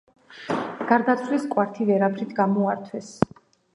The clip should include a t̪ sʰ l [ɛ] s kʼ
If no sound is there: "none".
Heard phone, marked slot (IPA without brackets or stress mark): i